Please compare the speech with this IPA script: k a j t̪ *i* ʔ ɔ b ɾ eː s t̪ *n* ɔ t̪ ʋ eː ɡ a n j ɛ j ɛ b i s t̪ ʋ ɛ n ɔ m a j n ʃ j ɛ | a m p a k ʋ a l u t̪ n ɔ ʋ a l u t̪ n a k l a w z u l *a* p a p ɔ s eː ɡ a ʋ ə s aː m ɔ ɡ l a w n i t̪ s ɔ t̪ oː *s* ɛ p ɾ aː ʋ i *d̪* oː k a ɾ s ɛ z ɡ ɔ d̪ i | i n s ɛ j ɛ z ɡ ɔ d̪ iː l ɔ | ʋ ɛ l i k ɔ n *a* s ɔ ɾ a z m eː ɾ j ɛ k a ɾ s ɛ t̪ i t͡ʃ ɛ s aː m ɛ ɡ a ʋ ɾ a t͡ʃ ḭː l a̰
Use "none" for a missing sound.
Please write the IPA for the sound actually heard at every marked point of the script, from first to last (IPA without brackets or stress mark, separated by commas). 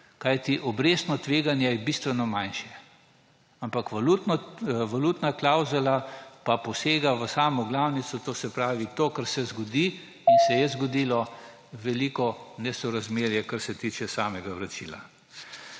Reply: i, n, a, s, t̪, ɛ